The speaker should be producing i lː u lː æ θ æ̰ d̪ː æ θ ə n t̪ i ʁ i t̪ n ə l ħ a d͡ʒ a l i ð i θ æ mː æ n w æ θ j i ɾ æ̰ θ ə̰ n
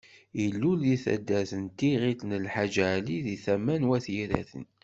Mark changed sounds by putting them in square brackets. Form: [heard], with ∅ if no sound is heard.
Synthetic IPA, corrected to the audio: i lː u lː [i] θ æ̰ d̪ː æ θ ə n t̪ i ʁ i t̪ n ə l ħ a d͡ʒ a l i ð i θ æ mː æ n w æ θ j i ɾ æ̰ θ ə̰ n